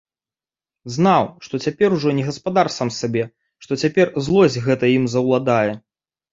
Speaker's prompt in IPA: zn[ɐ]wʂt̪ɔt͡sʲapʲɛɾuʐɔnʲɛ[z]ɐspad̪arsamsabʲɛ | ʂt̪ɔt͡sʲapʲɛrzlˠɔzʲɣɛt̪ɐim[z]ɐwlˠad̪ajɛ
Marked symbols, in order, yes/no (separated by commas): no, no, yes